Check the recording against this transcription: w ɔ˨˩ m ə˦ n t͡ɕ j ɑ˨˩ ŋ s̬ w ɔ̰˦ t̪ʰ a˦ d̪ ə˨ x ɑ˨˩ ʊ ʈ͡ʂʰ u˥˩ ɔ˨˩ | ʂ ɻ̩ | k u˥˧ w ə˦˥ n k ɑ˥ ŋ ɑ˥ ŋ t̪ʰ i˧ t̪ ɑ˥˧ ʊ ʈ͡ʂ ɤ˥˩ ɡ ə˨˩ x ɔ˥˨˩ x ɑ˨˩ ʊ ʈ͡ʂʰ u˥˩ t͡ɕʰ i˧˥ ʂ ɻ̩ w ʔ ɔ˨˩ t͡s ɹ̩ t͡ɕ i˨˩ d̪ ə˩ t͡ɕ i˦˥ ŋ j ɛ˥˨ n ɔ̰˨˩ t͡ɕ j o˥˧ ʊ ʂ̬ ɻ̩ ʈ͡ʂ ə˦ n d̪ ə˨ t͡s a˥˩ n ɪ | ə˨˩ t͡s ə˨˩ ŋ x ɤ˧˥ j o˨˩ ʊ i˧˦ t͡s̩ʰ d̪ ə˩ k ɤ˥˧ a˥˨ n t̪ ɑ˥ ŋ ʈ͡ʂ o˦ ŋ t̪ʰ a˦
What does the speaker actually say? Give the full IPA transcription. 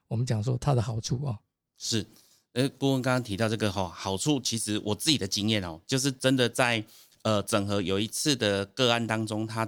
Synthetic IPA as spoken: w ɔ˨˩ m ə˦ n t͡ɕ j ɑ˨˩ ŋ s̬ w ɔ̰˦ t̪ʰ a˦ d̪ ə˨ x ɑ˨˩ ʊ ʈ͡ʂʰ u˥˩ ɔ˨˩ | ʂ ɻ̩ | k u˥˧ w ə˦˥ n k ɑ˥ ŋ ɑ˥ ŋ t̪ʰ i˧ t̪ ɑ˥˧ ʊ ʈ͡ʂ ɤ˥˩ ɡ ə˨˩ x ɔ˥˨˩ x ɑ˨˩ ʊ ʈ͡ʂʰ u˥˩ t͡ɕʰ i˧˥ ʂ ɻ̩ w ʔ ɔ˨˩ t͡s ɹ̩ t͡ɕ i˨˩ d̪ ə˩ t͡ɕ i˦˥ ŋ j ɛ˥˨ n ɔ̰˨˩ t͡ɕ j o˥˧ ʊ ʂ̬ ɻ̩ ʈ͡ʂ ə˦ n d̪ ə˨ t͡s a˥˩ ɪ | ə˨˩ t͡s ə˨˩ ŋ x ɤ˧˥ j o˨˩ ʊ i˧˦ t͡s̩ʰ d̪ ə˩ k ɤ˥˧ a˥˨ n t̪ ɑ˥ ŋ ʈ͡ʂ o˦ ŋ t̪ʰ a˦